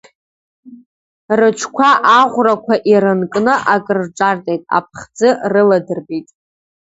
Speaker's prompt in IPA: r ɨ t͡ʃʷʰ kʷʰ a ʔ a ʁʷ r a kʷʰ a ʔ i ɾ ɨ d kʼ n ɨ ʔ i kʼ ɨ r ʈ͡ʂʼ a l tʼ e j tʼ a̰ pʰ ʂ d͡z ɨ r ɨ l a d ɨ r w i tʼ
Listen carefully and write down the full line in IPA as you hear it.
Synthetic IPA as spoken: r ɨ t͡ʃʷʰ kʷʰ a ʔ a ʁʷ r a kʷʰ a ʔ i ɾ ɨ n kʼ n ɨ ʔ a kʼ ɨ r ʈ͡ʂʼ a r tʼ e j tʼ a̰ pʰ χ d͡z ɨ r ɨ l a d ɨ r b i tʼ